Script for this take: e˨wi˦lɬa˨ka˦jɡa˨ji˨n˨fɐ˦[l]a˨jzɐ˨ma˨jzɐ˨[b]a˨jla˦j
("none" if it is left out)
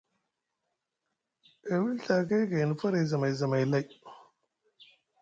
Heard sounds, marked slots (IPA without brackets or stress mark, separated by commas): ɾ, m